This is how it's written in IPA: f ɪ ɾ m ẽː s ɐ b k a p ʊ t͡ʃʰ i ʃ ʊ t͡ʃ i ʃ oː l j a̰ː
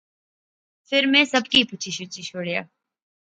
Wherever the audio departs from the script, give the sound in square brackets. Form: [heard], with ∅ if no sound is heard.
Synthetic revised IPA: f ɪ ɾ m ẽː s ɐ b k [i] p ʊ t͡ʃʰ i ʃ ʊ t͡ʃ i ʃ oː [ɽ] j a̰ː